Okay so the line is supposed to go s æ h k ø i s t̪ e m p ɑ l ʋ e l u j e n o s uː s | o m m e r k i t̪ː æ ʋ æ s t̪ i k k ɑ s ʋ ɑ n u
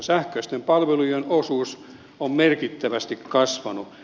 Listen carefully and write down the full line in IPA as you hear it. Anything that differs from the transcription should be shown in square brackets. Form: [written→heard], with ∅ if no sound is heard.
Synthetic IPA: s æ h k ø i s t̪ e m p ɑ l ʋ e l u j e n o s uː s | o m m e r k i t̪ː æ ʋ æ s t̪ i k k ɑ s ʋ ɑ n u